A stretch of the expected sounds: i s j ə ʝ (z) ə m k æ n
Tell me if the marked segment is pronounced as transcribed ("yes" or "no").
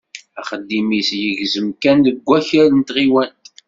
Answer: yes